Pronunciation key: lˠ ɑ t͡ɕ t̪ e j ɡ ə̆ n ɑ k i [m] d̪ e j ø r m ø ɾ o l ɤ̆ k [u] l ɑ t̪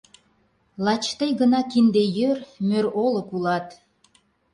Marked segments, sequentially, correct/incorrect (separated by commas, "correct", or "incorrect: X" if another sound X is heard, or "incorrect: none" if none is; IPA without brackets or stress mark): incorrect: n, correct